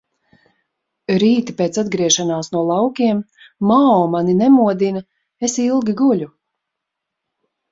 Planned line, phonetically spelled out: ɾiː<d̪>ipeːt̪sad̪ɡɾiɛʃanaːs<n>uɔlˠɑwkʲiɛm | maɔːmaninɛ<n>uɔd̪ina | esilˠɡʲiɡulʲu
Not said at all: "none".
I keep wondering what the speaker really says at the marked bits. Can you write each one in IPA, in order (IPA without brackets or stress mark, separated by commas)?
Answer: t̪, n, m